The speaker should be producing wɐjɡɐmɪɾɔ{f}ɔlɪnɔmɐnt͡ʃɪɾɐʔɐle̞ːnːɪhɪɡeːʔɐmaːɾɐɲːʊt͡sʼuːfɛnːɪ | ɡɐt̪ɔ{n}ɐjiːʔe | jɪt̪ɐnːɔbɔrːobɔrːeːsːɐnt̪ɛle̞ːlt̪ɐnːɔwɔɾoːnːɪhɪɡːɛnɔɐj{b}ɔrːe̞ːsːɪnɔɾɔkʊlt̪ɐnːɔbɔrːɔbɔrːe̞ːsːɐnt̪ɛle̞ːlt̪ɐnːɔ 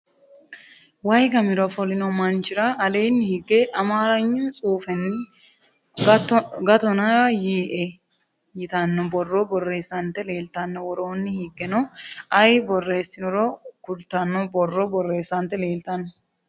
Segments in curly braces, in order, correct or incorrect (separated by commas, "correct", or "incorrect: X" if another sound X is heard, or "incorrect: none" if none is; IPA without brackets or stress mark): correct, correct, correct